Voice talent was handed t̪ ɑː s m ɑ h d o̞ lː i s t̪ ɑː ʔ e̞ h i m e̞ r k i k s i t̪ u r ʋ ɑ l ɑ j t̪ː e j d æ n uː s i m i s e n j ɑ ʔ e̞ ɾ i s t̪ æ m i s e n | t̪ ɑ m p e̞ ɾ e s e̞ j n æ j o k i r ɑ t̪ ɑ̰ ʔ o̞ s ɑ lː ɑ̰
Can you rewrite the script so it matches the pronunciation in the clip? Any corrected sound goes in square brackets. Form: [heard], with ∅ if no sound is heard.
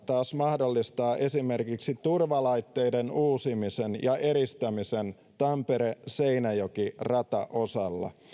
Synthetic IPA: t̪ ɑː s m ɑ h d o̞ lː i s t̪ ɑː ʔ e̞ [s] i m e̞ r k i k s i t̪ u r ʋ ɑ l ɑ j t̪ː e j d [e] n uː s i m i s e n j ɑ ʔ e̞ ɾ i s t̪ æ m i s e n | t̪ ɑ m p e̞ ɾ e s e̞ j n æ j o k i r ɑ t̪ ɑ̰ ʔ o̞ s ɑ lː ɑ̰